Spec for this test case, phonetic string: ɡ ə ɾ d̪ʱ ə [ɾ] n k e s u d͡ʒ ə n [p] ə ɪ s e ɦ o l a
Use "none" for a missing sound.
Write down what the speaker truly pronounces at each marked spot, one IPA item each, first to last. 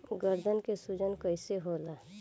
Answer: none, k

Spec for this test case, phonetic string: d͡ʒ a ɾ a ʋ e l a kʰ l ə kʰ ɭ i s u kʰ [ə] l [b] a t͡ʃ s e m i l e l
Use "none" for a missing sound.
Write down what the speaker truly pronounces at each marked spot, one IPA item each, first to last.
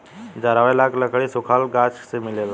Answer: a, ɡ

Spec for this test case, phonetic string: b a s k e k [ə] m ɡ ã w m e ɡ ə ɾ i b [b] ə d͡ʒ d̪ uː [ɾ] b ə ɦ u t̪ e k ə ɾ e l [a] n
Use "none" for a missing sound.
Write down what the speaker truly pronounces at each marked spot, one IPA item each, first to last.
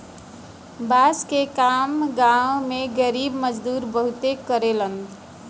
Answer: a, m, ɾ, ə

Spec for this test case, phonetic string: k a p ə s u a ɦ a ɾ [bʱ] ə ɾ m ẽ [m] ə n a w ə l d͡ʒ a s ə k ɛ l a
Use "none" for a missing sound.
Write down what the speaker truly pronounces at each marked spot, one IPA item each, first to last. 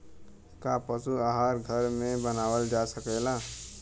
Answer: ɡʱ, b

